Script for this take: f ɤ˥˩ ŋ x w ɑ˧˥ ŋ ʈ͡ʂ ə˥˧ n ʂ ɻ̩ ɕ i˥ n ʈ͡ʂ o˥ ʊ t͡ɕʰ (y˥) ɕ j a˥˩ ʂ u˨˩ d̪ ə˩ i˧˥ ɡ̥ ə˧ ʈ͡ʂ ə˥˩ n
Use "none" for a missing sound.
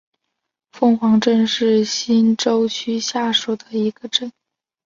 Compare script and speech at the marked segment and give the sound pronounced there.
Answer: y˥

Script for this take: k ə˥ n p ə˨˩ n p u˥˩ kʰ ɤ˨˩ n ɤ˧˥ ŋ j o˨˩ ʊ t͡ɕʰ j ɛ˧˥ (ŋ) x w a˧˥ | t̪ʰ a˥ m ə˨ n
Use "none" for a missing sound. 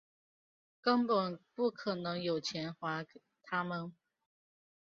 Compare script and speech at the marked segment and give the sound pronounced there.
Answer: n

